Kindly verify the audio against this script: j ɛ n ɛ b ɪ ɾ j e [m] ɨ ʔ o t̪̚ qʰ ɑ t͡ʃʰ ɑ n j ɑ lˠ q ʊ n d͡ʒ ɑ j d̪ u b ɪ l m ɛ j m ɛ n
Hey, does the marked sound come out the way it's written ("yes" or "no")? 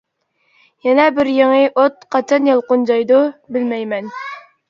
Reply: no